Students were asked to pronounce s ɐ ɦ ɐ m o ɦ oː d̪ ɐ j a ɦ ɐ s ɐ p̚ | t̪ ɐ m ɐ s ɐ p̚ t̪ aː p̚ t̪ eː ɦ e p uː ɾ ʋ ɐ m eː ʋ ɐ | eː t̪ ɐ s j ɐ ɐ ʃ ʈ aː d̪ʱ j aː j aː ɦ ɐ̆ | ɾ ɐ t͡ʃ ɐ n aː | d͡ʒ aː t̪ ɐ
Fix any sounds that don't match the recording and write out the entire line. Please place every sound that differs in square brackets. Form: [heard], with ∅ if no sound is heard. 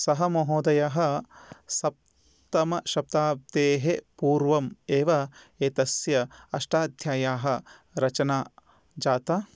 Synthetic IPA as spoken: s ɐ ɦ ɐ m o ɦ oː d̪ ɐ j a ɦ ɐ s ɐ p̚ | t̪ ɐ m ɐ [ʃ] ɐ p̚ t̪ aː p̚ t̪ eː ɦ e p uː ɾ ʋ ɐ m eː ʋ ɐ | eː t̪ ɐ s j ɐ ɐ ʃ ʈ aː d̪ʱ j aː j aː ɦ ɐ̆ | ɾ ɐ t͡ʃ ɐ n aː | d͡ʒ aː t̪ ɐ